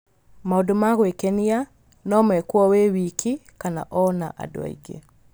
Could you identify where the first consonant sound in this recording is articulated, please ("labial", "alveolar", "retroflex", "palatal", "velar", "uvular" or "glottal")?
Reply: labial